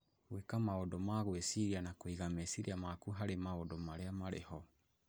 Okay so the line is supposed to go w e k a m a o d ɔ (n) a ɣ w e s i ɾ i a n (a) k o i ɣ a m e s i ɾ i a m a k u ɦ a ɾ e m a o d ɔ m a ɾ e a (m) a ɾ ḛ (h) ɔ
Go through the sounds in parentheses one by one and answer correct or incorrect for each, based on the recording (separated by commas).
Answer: incorrect, correct, correct, correct